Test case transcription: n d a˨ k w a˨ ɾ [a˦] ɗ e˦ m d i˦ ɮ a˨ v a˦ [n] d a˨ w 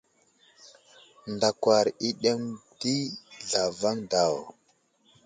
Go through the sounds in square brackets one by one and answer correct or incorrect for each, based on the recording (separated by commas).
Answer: incorrect, incorrect